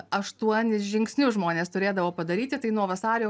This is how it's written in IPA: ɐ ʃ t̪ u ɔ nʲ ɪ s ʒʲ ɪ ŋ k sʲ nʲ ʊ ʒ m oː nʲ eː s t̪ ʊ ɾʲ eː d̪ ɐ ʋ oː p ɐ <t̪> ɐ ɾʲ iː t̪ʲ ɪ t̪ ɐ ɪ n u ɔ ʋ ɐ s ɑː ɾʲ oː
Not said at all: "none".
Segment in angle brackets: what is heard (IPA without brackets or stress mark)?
d̪